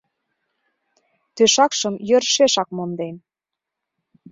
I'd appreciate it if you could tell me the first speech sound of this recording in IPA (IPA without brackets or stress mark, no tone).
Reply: t̪